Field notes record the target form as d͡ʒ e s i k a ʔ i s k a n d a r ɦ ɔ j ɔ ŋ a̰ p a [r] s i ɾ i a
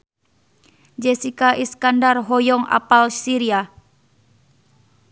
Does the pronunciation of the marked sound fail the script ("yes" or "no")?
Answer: yes